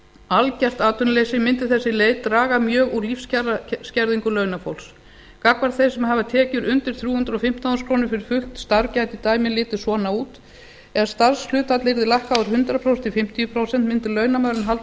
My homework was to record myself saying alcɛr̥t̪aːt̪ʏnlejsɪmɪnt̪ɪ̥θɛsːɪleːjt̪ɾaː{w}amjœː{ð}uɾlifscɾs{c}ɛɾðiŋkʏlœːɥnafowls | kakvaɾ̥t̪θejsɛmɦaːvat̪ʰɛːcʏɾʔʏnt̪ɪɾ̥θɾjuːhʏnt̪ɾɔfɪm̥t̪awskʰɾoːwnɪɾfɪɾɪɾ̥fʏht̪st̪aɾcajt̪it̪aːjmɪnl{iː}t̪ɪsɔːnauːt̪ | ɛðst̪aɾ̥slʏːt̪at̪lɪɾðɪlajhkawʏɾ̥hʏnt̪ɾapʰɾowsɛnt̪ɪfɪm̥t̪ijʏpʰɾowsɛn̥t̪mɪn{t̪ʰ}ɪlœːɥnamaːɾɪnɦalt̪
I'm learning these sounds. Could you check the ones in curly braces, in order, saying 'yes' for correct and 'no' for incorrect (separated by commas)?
no, no, yes, no, no